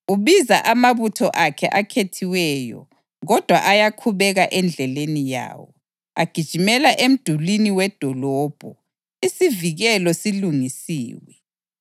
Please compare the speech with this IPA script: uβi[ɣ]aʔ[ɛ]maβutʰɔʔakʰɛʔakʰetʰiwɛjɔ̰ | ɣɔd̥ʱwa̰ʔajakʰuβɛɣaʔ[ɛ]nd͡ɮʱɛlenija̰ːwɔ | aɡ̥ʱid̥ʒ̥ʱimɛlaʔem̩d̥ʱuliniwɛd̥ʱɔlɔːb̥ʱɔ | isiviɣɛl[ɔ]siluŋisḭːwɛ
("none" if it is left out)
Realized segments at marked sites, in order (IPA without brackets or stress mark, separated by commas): z, a, ɛ, ɔ